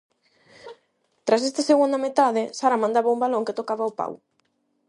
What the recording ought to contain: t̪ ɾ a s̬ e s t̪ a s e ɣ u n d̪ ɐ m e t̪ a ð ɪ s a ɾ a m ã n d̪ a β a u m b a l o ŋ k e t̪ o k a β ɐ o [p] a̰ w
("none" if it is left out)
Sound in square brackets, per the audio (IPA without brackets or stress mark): p